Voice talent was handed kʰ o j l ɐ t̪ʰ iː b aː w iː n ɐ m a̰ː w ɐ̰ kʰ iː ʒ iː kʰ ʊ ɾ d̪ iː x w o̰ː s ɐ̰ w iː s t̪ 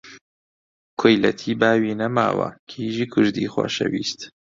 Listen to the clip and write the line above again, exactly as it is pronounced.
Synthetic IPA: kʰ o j l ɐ t̪ʰ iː b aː w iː n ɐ m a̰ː w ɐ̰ kʰ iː ʒ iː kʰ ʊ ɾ d̪ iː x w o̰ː ʃ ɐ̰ w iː s t̪